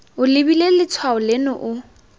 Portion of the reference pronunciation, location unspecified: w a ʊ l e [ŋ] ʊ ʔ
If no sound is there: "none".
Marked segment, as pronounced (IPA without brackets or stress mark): n